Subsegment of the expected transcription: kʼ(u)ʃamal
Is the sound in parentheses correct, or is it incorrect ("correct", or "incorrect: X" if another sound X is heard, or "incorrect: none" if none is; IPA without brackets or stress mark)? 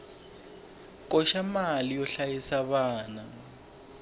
incorrect: ɔ